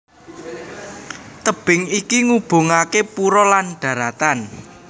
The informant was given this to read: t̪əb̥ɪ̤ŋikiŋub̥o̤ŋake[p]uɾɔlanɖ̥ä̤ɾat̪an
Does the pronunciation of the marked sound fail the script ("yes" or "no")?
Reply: no